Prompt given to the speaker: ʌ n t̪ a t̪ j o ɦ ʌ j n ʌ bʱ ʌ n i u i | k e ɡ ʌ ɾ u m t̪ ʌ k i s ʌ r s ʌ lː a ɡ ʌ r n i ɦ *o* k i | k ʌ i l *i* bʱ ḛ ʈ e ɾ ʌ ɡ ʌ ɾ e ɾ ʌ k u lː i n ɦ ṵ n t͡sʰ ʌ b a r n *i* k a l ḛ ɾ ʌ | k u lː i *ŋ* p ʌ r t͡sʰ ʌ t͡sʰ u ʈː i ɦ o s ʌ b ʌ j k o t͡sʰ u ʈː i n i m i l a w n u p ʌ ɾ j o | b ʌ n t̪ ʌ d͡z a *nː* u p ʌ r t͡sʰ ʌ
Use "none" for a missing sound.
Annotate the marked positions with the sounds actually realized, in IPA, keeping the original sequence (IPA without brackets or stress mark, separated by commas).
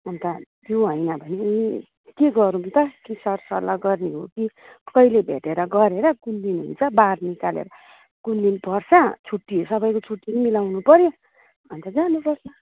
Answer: o, e, i, n, n